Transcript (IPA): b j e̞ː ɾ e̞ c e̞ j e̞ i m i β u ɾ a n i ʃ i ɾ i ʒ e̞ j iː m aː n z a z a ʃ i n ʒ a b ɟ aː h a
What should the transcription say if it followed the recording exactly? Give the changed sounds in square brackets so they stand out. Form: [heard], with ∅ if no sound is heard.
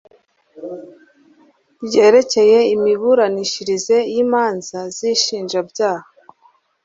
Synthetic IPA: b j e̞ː ɾ e̞ c e̞ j e̞ i m i β u ɾ a n i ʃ i ɾ i [z] e̞ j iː m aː n z a z [i] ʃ [iː] n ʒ a b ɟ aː h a